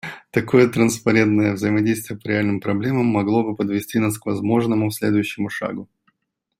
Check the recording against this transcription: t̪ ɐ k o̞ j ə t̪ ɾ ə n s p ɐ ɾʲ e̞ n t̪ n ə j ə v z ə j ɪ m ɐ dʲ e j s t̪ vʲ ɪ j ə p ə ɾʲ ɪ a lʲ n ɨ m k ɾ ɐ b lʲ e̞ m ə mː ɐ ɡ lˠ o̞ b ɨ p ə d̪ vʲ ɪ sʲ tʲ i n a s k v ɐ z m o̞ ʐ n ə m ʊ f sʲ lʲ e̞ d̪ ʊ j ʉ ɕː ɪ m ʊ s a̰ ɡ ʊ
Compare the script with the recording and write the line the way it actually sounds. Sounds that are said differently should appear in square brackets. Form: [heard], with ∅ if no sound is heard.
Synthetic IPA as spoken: t̪ ɐ k o̞ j ə t̪ ɾ ə n s p ɐ ɾʲ e̞ n t̪ n ə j ə v z ə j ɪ m ɐ dʲ e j s t̪ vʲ ɪ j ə p ə ɾʲ ɪ a lʲ n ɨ m [p] ɾ ɐ b lʲ e̞ m ə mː ɐ ɡ lˠ o̞ b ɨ p ə d̪ vʲ ɪ sʲ tʲ i n a s k v ɐ z m o̞ ʐ n ə m ʊ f sʲ lʲ e̞ d̪ ʊ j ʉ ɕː ɪ m ʊ [ʂ] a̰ ɡ ʊ